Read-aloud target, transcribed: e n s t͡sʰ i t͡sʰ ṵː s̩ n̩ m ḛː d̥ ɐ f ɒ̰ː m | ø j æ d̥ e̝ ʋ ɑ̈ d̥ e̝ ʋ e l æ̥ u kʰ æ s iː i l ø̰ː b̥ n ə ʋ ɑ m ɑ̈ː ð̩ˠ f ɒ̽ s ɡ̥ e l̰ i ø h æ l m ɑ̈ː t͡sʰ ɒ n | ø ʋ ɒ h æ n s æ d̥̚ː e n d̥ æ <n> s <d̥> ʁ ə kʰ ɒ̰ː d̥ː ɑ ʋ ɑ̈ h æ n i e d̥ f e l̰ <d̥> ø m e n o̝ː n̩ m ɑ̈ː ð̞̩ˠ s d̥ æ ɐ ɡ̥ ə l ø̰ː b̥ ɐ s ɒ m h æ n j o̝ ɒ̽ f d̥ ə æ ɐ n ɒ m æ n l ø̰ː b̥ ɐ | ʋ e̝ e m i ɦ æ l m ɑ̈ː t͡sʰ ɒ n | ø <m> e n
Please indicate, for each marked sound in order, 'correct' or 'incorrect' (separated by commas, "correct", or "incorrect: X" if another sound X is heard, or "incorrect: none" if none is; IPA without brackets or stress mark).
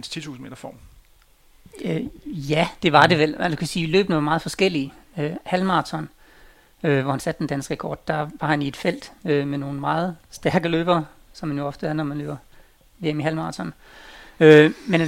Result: correct, incorrect: ɡ̥, correct, correct